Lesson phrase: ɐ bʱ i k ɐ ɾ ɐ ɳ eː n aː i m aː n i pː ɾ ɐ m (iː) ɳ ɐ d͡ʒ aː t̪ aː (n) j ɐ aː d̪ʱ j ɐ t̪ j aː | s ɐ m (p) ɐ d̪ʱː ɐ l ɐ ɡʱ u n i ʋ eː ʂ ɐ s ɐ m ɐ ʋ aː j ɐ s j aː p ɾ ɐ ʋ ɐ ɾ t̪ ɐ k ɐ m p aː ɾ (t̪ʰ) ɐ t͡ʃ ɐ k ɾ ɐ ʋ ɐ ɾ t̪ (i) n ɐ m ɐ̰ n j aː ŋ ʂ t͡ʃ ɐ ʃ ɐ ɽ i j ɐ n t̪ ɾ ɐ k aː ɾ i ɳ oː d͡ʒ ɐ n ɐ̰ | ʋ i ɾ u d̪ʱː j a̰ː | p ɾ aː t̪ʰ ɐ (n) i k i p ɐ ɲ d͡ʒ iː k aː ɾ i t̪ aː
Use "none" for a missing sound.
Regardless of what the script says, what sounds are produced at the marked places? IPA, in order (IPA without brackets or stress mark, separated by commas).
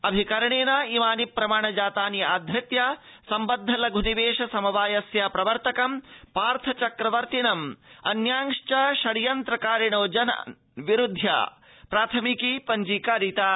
aː, n, b, t̪ʰ, i, m